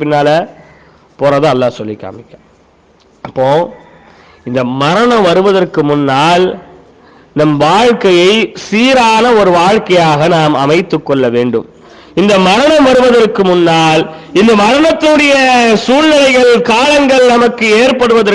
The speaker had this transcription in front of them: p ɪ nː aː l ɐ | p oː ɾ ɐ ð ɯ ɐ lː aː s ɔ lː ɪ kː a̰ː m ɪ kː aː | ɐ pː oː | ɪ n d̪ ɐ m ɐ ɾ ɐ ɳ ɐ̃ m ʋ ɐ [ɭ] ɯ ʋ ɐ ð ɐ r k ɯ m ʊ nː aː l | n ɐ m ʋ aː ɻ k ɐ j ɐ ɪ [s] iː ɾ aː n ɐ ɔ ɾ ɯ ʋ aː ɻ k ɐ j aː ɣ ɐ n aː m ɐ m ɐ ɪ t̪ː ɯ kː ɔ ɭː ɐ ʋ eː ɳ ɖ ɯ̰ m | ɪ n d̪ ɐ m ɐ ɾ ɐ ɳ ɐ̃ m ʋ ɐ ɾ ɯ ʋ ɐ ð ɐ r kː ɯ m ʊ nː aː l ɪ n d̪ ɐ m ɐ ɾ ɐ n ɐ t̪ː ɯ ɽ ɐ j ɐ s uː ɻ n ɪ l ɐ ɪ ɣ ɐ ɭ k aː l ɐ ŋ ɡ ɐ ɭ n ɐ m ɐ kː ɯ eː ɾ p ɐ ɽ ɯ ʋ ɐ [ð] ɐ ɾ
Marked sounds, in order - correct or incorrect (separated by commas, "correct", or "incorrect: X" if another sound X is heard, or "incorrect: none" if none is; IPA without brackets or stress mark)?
incorrect: ɾ, correct, correct